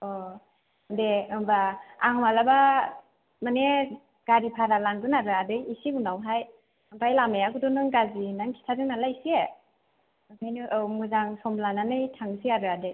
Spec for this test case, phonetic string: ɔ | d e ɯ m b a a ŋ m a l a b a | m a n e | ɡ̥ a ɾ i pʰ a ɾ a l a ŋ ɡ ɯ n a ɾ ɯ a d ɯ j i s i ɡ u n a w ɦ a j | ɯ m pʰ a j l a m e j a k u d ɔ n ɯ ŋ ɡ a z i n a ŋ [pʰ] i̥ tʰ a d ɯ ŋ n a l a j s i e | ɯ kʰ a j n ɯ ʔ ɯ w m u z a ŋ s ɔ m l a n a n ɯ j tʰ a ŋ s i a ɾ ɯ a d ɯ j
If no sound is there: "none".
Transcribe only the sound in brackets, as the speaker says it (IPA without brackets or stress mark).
kʰ